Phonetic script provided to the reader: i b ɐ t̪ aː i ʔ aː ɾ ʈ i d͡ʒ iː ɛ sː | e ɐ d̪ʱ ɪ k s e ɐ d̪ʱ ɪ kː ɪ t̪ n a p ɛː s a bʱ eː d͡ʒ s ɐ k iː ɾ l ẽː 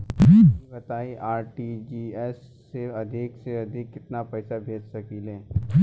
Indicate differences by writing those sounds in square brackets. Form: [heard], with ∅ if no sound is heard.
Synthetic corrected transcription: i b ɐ t̪ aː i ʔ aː ɾ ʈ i d͡ʒ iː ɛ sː | e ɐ d̪ʱ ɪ k s e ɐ d̪ʱ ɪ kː ɪ t̪ n a p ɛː s a bʱ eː d͡ʒ s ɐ k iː [∅] l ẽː